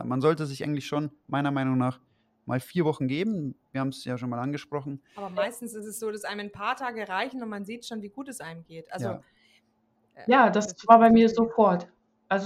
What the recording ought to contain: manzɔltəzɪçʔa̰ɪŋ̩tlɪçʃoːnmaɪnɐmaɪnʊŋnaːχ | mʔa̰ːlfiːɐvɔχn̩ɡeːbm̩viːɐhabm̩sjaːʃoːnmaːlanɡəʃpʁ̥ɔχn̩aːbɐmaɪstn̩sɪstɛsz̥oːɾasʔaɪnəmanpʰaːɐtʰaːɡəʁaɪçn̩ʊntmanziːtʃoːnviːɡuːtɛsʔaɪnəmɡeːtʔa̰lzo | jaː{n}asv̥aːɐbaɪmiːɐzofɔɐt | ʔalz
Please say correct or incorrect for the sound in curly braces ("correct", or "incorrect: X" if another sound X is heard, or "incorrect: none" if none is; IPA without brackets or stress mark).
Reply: incorrect: d